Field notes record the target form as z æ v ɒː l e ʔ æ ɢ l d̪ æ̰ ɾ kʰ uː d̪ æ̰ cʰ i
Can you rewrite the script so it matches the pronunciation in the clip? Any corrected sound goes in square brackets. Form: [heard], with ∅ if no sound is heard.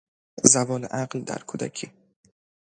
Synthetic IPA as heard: z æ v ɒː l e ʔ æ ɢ l d̪ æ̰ ɾ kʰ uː d̪ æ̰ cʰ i